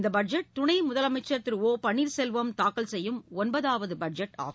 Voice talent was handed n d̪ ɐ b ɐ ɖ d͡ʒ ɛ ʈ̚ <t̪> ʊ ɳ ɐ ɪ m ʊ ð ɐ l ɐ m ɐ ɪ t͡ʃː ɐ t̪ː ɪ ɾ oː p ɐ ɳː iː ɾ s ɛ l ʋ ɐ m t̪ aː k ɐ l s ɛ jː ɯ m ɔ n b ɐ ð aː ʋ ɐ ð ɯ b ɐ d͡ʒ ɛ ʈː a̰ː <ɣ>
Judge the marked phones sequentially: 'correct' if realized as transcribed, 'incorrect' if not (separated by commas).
correct, correct